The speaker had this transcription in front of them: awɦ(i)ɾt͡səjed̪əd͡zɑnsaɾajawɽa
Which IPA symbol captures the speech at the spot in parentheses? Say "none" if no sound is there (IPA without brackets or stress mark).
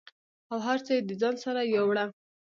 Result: a